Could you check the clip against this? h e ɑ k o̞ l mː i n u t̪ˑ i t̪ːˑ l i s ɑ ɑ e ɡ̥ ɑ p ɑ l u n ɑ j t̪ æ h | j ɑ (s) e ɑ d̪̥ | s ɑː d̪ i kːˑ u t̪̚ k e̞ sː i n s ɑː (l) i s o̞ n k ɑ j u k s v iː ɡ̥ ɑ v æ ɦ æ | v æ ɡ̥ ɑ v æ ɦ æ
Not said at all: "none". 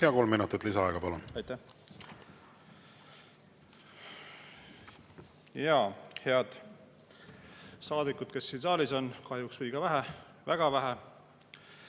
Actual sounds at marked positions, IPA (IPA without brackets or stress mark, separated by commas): h, l